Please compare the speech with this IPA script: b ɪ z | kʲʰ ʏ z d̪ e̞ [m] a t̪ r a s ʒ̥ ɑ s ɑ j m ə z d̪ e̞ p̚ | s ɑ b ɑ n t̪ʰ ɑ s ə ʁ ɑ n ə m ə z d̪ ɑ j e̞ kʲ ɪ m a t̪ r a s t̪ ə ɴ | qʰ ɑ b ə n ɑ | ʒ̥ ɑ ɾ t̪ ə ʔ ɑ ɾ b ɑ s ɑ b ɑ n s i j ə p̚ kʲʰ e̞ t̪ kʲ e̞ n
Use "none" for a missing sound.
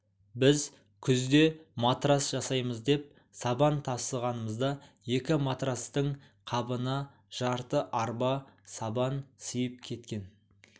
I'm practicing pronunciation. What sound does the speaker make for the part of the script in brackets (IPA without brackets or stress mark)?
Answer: m